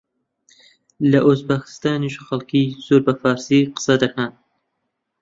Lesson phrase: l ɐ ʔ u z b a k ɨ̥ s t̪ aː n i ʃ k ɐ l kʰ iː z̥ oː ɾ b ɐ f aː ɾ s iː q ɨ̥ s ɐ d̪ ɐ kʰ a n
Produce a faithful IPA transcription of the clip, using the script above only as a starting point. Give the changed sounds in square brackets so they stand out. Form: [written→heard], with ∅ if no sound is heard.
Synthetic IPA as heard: l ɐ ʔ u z b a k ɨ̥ s t̪ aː n i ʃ [k→x] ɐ l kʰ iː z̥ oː ɾ b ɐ f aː ɾ s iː q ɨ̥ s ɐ d̪ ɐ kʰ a n